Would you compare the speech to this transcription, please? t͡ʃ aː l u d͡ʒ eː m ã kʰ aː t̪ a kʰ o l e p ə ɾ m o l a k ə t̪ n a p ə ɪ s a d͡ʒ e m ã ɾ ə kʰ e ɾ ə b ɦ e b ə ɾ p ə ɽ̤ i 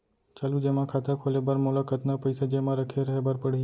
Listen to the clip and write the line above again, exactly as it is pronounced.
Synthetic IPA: t͡ʃ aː l u d͡ʒ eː m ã kʰ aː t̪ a kʰ o l e b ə ɾ m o l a k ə t̪ n a p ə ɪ s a d͡ʒ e m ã ɾ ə kʰ e ɾ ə ɦ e b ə ɾ p ə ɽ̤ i